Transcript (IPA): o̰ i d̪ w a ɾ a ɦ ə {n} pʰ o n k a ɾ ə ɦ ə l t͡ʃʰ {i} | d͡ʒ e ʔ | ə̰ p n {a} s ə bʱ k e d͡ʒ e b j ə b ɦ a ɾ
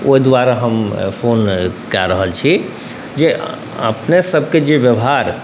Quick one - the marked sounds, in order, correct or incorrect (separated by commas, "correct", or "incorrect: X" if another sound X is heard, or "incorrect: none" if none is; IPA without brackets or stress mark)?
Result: incorrect: m, correct, incorrect: e